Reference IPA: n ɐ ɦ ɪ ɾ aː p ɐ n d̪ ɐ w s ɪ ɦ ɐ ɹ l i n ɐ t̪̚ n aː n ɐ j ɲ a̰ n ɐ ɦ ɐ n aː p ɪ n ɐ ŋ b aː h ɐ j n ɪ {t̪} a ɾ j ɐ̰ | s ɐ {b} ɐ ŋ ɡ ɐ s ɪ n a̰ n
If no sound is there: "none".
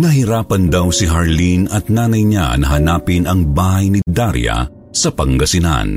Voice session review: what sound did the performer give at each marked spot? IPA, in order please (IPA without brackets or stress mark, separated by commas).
d̪, p